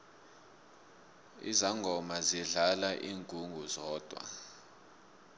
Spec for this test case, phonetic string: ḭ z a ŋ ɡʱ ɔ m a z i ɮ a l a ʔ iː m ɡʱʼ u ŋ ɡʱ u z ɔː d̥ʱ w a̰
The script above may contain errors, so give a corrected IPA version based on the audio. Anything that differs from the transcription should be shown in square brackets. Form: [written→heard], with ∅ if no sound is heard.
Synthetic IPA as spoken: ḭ z a ŋ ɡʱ ɔ m a z i ɮ a l a ʔ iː [m→ŋ] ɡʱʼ u ŋ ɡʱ u z ɔː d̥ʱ w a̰

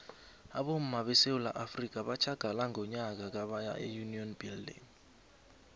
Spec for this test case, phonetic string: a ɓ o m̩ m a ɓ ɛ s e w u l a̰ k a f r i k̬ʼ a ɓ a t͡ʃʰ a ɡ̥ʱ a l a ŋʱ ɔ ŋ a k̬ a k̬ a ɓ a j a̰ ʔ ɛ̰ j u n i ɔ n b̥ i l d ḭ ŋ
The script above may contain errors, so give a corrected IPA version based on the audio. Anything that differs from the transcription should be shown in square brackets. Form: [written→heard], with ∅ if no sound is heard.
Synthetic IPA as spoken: a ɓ o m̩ m a ɓ ɛ s e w u l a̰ [k→ʔ] a f r i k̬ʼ a ɓ a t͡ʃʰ a ɡ̥ʱ a l a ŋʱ ɔ [ŋ→ɲ] a k̬ a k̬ a ɓ a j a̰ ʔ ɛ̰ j u n i ɔ n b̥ i l d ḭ ŋ

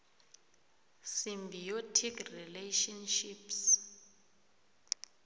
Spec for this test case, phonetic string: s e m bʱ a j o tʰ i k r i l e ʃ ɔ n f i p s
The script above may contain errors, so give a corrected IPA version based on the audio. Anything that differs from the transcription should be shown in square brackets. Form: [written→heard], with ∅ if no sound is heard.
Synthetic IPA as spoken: s [e→i] m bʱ [a→i] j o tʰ i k r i l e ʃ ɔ n [f→ʃ] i p s

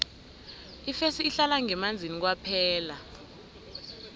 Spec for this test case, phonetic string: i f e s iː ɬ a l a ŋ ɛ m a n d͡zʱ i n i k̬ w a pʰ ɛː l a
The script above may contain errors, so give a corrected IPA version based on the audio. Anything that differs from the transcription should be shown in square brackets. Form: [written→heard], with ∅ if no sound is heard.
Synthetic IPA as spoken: i f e s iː ɬ a l a ŋ ɛ m a n d͡zʱ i n i k̬ w a pʰ ɛː l a

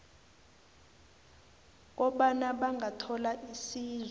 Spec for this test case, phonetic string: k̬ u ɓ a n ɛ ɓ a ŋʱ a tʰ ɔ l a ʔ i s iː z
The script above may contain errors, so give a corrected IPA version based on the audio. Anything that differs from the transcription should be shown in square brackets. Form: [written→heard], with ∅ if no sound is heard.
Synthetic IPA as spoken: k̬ [u→ɔ] ɓ a n [ɛ→a] ɓ a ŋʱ a tʰ ɔ l a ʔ i s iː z

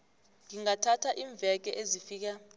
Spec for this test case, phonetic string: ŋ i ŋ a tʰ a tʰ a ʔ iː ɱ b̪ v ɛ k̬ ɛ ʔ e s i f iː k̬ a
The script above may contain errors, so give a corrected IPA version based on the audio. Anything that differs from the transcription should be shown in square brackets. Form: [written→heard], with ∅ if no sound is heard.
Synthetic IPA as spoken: ŋ i ŋ a tʰ a tʰ a ʔ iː ɱ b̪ v ɛ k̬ ɛ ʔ e [s→z] i f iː k̬ a

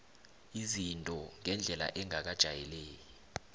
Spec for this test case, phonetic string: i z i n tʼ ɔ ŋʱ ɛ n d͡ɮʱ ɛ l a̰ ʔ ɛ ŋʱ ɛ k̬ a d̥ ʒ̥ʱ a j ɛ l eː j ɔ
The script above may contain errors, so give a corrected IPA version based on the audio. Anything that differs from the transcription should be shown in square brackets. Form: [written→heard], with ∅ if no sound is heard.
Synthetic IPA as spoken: i z i n tʼ ɔ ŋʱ ɛ n d͡ɮʱ ɛ l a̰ ʔ ɛ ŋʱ [ɛ→a] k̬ a d̥ ʒ̥ʱ a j ɛ l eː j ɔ

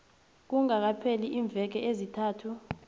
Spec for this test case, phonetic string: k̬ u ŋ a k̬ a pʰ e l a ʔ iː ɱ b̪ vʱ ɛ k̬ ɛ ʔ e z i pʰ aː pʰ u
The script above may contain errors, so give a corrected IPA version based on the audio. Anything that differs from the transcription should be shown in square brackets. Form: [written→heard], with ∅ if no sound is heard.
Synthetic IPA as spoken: k̬ u ŋ a k̬ a pʰ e l [a→i] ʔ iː ɱ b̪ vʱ ɛ k̬ ɛ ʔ e z i [pʰ→tʰ] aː [pʰ→tʰ] u

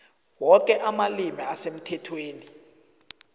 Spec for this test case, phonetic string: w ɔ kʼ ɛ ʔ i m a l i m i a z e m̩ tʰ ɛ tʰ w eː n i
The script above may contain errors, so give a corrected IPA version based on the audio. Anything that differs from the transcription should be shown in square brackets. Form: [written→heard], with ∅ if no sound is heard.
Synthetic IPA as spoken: w ɔ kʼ ɛ ʔ [i→a] m a l i m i a [z→s] e m̩ tʰ ɛ tʰ w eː n i

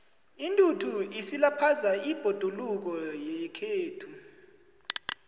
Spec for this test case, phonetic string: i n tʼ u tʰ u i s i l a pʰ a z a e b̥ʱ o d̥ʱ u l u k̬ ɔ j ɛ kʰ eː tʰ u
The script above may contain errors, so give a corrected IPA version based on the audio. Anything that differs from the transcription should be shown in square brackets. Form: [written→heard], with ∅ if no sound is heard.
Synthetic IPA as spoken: i n tʼ u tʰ u i s i l a pʰ a z a [e→i] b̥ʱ o d̥ʱ u l u k̬ ɔ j ɛ kʰ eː tʰ u

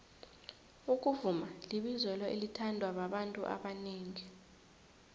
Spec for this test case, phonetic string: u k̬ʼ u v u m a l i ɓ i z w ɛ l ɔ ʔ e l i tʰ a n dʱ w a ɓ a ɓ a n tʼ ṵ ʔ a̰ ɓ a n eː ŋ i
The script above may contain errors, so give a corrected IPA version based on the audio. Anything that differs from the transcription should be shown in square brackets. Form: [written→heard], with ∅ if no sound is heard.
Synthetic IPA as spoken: u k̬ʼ u v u m a l i ɓ i z w ɛ l ɔ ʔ e l i tʰ a n dʱ w a ɓ a ɓ a n tʼ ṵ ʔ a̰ ɓ a n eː ŋ i

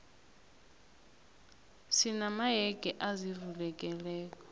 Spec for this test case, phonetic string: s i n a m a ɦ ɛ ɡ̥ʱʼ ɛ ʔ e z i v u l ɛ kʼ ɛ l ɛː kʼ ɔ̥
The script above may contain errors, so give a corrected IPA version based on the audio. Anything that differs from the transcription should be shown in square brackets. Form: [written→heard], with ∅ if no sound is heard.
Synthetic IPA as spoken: s i n a m a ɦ ɛ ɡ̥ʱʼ ɛ ʔ [e→a] z i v u l ɛ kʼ ɛ l ɛː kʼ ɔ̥

